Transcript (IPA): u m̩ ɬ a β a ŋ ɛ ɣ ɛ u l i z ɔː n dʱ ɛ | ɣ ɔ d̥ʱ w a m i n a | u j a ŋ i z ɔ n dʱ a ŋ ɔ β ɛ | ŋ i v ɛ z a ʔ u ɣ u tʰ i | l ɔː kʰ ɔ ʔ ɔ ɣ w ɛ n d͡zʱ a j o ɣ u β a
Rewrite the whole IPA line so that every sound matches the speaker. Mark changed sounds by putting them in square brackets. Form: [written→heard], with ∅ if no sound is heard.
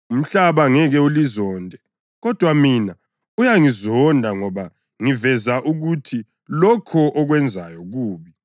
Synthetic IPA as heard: u m̩ ɬ a β a ŋ ɛ ɣ ɛ u l i z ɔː n dʱ ɛ | ɣ ɔ d̥ʱ w a m i n a | u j a ŋ i z ɔ n dʱ a ŋ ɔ β [ɛ→a] | ŋ i v ɛ z a ʔ u ɣ u tʰ i | l [ɔː→ɔ] kʰ ɔ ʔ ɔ ɣ w ɛ n d͡zʱ a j [o→ɔ] ɣ [u→uː] β [a→i]